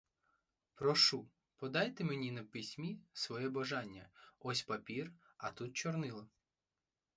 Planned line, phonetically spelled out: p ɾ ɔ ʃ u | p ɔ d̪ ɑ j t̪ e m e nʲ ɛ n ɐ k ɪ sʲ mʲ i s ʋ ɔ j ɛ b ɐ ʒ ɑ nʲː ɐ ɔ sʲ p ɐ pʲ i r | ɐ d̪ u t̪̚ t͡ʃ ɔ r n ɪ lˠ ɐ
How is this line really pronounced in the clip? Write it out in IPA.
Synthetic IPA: p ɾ ɔ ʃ u | p ɔ d̪ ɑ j t̪ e m e nʲ i n ɐ p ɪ sʲ mʲ i s ʋ ɔ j ɛ b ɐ ʒ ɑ nʲː ɐ ɔ sʲ p ɐ pʲ i r | ɐ t̪ u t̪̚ t͡ʃ ɔ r n ɪ lˠ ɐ